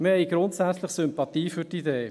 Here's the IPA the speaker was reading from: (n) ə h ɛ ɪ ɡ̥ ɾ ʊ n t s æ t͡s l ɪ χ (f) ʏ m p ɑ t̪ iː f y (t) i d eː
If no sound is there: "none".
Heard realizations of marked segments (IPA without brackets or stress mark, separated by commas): m, s, t